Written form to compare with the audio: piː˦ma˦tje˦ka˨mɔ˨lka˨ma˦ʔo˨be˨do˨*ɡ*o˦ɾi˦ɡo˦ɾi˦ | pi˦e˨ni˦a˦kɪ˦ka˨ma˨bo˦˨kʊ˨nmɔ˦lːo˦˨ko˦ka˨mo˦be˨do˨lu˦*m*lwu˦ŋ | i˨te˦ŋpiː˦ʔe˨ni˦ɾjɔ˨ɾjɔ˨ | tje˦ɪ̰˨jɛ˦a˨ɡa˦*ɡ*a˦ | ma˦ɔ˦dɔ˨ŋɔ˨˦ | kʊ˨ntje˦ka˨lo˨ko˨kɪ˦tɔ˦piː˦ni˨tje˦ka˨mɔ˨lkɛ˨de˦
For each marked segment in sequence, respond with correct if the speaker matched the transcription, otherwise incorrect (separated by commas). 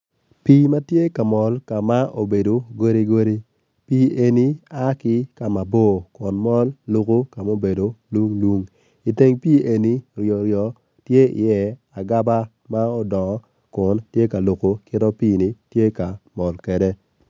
correct, incorrect, incorrect